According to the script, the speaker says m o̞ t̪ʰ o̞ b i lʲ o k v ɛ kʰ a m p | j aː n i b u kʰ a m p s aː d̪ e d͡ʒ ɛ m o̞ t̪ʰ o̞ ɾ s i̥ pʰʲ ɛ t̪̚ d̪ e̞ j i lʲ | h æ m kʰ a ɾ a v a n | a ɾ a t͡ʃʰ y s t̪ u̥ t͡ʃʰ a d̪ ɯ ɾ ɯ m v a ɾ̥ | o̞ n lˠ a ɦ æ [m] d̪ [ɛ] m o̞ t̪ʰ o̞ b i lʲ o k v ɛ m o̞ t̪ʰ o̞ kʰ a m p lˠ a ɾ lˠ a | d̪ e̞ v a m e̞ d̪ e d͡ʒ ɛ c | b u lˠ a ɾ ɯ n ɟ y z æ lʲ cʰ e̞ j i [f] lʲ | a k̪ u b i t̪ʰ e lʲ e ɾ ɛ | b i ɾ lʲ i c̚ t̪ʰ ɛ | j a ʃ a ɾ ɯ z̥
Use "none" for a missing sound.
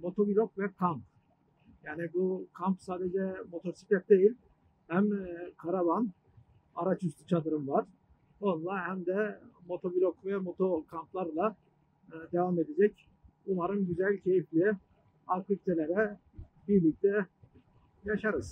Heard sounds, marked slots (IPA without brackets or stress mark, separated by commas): m, ɛ, f